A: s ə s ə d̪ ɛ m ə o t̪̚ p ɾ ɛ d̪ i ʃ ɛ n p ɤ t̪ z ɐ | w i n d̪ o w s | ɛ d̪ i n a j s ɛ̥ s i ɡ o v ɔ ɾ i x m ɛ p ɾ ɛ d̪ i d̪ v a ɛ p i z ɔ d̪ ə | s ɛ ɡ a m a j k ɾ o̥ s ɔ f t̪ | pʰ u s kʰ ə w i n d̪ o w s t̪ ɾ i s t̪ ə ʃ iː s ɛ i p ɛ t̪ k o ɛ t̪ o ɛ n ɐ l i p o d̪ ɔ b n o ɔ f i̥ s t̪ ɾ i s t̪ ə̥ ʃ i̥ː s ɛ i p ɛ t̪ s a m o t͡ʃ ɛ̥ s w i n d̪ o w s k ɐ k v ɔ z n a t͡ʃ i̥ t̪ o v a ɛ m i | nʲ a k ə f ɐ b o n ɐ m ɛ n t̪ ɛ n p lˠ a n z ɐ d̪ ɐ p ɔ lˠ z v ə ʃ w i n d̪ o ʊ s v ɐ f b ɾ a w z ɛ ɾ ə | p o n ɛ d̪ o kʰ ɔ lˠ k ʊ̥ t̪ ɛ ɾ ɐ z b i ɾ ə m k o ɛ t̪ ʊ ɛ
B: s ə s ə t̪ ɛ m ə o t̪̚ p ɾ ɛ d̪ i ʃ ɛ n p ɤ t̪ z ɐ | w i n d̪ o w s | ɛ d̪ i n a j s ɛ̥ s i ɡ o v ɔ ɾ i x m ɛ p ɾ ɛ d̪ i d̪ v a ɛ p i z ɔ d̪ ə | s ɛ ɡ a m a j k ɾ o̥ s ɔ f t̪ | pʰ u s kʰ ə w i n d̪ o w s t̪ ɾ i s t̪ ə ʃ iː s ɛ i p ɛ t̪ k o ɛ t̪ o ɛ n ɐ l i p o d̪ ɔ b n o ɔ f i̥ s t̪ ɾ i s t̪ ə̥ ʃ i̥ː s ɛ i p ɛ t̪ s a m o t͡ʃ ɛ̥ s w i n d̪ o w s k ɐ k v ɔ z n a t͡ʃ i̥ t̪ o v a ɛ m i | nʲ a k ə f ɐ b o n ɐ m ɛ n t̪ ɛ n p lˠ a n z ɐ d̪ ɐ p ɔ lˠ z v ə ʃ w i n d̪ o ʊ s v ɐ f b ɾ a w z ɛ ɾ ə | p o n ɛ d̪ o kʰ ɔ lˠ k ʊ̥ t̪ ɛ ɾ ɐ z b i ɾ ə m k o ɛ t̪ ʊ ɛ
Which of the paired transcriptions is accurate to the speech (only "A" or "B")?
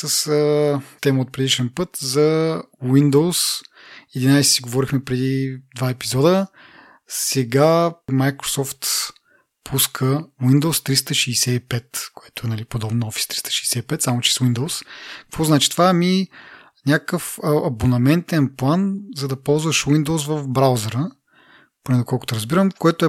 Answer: B